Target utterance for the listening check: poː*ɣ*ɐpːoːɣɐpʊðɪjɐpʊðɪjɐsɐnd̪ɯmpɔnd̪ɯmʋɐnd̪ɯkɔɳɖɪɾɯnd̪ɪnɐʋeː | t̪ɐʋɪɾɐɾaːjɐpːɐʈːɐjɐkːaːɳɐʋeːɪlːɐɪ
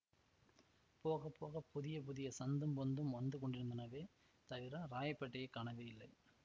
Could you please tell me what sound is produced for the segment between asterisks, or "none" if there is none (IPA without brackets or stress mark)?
ɣ